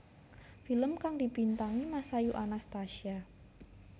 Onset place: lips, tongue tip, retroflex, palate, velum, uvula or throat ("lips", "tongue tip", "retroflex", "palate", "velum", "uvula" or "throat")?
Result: lips